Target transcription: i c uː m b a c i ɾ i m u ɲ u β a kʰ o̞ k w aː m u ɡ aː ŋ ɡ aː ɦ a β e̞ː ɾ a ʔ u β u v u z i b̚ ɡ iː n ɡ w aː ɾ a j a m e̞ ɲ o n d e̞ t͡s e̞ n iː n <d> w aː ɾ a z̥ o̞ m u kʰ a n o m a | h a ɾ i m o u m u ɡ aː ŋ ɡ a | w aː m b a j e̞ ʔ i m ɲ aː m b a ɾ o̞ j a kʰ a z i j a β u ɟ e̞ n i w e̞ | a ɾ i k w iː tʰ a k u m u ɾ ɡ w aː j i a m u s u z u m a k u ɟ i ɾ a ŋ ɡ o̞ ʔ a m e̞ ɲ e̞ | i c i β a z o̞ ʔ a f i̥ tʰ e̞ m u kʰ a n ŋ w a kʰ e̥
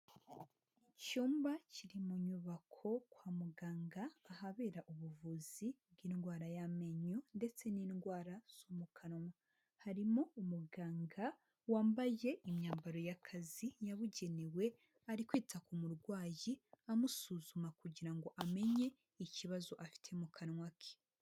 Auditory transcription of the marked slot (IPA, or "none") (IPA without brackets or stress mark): ɡ